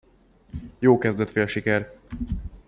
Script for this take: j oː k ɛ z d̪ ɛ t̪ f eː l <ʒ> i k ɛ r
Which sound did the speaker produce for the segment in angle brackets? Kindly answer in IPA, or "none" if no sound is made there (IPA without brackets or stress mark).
ʃ